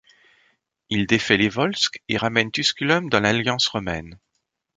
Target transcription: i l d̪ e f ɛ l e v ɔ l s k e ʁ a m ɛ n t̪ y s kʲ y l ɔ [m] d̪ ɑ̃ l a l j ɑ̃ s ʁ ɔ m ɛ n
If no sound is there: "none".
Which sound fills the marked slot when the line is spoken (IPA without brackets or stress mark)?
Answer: m